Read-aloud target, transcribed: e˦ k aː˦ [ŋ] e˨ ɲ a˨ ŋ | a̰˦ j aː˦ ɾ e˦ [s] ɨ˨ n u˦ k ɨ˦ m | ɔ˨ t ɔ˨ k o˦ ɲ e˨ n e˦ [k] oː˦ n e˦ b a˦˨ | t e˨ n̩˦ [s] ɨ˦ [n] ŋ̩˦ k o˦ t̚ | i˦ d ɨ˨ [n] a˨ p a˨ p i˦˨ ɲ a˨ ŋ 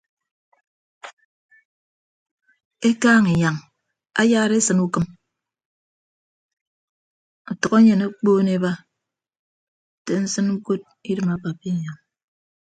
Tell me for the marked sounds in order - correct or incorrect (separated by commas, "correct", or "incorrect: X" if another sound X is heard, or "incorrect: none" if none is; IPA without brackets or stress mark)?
correct, correct, incorrect: k͡p, correct, correct, incorrect: m